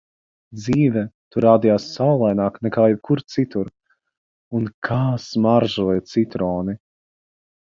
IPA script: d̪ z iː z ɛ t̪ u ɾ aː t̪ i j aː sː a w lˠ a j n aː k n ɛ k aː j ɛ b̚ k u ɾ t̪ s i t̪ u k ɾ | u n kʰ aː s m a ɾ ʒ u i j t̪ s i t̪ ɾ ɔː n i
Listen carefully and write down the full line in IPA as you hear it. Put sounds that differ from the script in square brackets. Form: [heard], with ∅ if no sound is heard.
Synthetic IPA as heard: d̪ z iː [v] ɛ t̪ u ɾ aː [d̪] i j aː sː a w lˠ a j n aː k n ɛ k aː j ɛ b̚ k u ɾ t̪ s i t̪ u [∅] ɾ | u n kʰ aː s m a ɾ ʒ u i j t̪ s i t̪ ɾ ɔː n i